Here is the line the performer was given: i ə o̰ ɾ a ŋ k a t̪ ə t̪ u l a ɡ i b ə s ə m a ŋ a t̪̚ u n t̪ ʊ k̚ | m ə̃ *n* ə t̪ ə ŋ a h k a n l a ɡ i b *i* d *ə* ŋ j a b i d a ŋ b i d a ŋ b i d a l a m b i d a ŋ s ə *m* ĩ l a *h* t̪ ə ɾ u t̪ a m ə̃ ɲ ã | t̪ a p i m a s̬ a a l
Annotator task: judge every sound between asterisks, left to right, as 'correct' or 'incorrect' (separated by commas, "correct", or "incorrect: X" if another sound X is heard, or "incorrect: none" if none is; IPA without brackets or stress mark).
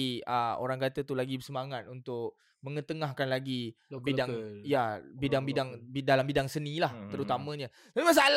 incorrect: ŋ, correct, incorrect: a, incorrect: n, correct